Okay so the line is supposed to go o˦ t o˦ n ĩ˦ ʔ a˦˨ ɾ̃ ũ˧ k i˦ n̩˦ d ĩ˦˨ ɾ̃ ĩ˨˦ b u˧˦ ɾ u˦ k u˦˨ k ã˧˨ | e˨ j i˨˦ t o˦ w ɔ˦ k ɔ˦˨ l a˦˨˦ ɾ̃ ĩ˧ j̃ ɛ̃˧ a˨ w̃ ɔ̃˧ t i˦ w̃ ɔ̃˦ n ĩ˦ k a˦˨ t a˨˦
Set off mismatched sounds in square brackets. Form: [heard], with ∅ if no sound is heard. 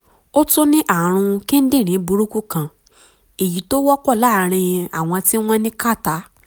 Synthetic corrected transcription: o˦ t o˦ n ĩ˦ ʔ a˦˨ ɾ̃ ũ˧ k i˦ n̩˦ d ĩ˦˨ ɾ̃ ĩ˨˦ b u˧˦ ɾ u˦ k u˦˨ k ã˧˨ | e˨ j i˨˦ t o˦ w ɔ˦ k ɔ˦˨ l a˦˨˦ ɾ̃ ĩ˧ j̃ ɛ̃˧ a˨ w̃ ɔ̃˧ t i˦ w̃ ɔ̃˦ n ĩ˦ k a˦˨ t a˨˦